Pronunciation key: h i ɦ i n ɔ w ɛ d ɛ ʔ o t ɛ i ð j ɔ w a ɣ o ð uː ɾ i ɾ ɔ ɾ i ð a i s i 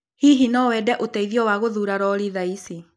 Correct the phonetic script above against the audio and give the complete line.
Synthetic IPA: h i ɦ i n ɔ w ɛ d ɛ ʔ o t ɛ i ð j ɔ w a ɣ o ð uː ɾ a ɾ ɔ ɾ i ð a i s i